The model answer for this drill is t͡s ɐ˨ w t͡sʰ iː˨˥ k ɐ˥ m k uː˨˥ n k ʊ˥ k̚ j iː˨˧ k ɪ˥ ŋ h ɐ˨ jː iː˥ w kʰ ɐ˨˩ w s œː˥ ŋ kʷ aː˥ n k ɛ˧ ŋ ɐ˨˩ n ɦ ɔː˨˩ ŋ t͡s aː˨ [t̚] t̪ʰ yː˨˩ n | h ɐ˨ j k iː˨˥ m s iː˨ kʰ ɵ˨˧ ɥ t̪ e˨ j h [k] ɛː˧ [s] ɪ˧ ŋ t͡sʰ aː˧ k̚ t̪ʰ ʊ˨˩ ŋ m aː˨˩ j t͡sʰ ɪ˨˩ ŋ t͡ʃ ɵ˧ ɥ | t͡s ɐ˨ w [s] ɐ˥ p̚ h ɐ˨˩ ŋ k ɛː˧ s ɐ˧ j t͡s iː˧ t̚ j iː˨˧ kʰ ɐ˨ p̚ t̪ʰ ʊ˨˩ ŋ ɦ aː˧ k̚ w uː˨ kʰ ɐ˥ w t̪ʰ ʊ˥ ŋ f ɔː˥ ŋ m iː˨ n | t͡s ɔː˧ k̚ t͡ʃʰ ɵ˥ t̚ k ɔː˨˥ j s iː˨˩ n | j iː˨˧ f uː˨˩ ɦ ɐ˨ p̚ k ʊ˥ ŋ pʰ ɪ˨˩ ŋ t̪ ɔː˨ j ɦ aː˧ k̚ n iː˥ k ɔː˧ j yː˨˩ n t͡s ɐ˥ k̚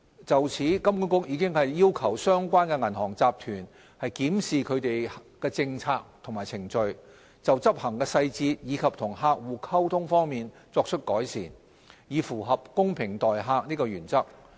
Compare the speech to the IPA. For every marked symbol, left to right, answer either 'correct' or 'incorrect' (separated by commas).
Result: incorrect, correct, incorrect, incorrect